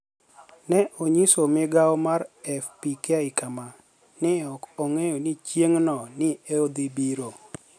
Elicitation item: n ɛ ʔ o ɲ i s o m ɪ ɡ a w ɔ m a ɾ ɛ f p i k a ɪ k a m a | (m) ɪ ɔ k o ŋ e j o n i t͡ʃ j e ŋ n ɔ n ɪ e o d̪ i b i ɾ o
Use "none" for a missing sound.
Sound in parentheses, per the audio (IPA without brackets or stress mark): n